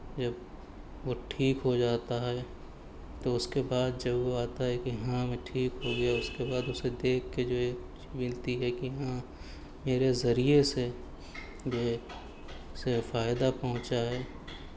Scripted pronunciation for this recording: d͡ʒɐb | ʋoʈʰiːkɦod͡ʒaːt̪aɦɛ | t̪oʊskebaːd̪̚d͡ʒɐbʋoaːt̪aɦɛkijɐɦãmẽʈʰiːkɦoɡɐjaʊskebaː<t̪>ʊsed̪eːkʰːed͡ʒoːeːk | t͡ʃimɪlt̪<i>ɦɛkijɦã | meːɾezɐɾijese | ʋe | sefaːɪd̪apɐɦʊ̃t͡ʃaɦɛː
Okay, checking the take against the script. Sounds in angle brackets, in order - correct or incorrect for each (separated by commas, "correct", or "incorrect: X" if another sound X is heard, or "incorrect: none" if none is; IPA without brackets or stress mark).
incorrect: d̪, correct